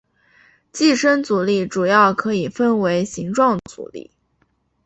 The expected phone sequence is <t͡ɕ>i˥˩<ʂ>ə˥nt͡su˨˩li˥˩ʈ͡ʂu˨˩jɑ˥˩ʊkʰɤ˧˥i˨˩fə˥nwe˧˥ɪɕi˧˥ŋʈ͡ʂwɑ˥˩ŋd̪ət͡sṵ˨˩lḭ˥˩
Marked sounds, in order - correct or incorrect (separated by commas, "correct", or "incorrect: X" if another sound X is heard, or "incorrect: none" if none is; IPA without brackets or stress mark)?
correct, correct